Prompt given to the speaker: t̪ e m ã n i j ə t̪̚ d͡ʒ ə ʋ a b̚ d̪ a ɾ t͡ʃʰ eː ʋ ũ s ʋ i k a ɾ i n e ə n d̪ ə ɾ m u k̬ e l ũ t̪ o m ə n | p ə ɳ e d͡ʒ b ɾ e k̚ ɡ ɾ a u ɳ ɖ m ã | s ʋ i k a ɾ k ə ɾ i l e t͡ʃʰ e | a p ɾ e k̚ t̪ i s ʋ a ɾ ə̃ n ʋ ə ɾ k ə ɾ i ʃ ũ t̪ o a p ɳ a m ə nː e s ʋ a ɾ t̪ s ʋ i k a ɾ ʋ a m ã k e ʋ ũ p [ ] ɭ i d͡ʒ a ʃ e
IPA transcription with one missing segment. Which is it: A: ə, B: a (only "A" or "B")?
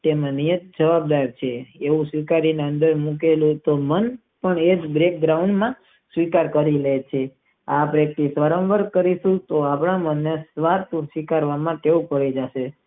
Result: A